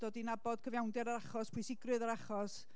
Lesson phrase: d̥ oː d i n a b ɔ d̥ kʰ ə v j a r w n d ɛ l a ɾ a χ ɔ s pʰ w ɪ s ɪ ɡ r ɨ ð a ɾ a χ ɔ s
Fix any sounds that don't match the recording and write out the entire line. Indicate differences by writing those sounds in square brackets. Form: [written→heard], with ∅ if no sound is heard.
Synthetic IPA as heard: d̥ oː d i n a b ɔ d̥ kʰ ə v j a [r→∅] w n d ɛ [l→ɾ] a ɾ a χ ɔ s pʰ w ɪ s ɪ ɡ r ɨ ð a ɾ a χ ɔ s